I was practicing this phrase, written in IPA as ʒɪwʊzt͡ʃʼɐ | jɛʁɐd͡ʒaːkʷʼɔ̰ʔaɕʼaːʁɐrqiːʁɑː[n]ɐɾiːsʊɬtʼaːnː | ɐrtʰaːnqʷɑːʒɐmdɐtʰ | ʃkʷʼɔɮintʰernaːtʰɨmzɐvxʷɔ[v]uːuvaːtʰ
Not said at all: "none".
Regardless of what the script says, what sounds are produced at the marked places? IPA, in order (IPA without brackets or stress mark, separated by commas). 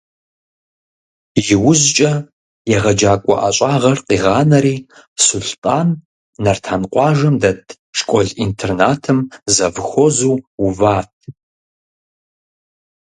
n, z